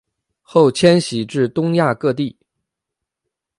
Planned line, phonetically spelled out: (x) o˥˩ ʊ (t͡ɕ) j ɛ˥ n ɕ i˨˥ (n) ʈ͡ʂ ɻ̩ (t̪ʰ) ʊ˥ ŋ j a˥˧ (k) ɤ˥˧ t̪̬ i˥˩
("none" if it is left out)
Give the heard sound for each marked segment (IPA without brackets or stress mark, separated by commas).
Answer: x, t͡ɕʰ, none, t̪, k